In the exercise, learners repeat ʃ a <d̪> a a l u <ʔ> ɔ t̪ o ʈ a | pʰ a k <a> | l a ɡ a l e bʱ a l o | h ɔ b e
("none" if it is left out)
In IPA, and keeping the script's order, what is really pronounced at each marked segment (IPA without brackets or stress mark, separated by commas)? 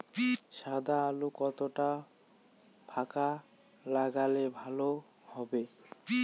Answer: d̪, k, a